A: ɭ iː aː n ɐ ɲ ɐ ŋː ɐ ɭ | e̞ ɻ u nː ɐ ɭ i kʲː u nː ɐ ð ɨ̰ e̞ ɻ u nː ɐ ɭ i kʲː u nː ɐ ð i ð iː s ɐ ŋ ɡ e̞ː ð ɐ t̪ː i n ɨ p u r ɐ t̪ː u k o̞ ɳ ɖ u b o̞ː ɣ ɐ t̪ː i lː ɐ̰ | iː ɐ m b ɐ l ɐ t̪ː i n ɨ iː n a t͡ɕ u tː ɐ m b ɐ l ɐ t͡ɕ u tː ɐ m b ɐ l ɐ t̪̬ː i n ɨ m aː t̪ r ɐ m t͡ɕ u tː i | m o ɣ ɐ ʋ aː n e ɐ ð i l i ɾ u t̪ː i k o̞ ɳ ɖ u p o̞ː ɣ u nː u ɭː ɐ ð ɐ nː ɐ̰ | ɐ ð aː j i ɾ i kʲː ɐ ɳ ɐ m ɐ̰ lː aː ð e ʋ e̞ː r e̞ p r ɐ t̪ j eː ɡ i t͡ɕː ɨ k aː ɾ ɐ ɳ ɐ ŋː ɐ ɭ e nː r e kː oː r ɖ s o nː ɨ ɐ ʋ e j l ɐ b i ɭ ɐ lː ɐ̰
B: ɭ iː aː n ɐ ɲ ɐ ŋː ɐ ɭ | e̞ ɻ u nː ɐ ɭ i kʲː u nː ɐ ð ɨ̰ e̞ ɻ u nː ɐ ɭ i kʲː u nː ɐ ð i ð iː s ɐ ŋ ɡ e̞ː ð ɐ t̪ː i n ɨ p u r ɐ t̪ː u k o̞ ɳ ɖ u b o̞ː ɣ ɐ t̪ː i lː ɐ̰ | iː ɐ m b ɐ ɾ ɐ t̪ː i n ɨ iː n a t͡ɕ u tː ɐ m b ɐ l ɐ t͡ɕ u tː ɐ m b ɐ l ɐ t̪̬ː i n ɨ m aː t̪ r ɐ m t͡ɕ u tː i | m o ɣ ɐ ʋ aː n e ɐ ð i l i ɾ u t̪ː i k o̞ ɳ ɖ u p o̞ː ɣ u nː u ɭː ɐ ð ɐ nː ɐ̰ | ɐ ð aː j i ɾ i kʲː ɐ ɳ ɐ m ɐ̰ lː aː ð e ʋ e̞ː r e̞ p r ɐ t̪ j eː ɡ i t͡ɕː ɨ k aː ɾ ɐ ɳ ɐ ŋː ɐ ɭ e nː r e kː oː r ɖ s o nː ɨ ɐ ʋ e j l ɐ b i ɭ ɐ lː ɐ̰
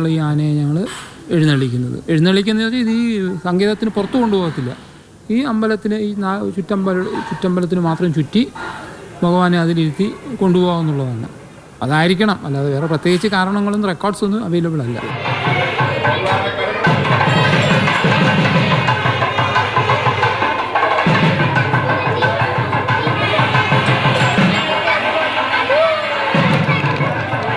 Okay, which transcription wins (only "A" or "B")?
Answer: A